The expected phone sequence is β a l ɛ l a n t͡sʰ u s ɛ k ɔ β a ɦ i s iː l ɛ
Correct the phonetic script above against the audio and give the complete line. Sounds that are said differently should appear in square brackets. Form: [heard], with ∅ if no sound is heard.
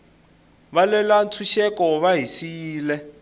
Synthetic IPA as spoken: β a l ɛ l a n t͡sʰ u [ʃ] ɛ k ɔ β a ɦ i s iː l ɛ